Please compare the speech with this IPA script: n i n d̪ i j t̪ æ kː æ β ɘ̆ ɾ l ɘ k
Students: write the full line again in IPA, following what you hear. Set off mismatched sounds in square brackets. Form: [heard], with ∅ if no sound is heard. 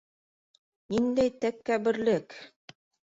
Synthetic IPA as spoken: n i n d̪ [æ] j t̪ æ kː æ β ɘ̆ ɾ l ɘ k